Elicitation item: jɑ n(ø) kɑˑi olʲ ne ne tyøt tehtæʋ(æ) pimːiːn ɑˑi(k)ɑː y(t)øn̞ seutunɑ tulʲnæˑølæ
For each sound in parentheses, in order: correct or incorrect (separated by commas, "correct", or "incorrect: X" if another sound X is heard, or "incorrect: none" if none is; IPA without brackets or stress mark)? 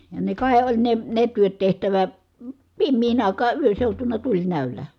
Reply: incorrect: e, correct, correct, incorrect: none